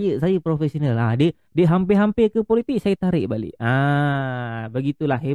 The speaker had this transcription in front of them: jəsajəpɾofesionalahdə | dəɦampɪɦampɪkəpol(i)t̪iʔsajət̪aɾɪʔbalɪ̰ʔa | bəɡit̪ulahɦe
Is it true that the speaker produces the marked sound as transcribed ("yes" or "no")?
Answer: yes